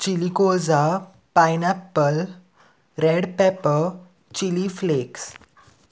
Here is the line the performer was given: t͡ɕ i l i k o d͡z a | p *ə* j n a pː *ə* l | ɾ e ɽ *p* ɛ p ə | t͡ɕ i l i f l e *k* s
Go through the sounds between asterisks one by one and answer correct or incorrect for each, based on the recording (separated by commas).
incorrect, correct, correct, correct